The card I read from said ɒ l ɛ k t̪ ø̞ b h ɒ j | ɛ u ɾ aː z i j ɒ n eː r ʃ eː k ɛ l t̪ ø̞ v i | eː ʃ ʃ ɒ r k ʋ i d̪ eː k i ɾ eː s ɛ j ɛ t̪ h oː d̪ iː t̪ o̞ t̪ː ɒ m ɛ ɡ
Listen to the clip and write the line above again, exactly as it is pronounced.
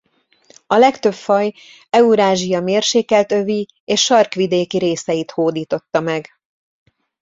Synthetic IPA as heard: ɒ l ɛ k t̪ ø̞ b f ɒ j | ɛ u ɾ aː ʒ i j ɒ m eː r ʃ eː k ɛ l t̪ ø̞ v i | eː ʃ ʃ ɒ r k ʋ i d̪ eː k i ɾ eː s ɛ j i t̪ h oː d̪ iː t̪ o̞ t̪ː ɒ m ɛ ɡ